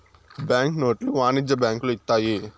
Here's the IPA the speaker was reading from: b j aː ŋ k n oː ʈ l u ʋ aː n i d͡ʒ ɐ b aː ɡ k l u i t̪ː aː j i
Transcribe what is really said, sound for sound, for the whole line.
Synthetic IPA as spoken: b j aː ŋ k n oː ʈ l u ʋ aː n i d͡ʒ ɐ b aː ŋ k l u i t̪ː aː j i